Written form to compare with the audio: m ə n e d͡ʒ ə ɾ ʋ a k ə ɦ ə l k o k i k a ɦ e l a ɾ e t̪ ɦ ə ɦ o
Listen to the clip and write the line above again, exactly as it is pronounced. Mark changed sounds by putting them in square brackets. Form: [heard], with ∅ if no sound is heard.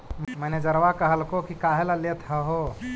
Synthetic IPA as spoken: m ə n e d͡ʒ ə ɾ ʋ a k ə ɦ ə l k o k i k a ɦ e l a [l] e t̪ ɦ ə ɦ o